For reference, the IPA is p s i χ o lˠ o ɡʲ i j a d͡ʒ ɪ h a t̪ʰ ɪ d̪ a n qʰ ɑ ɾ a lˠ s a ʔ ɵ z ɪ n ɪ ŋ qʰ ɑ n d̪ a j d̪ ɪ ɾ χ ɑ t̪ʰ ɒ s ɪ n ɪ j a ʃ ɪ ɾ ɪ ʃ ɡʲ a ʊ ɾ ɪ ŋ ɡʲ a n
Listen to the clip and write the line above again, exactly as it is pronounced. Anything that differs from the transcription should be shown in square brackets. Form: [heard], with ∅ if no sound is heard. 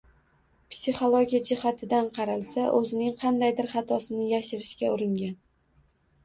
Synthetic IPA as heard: p s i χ o lˠ o ɡʲ i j a d͡ʒ ɪ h a t̪ʰ ɪ d̪ a n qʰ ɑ ɾ a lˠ s a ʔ ɵ z ɪ n ɪ ŋ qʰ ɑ n d̪ a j d̪ ɪ ɾ χ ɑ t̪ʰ ɒ s ɪ n ɪ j a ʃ ɪ ɾ ɪ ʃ [kʲ] a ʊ ɾ ɪ ŋ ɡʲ a n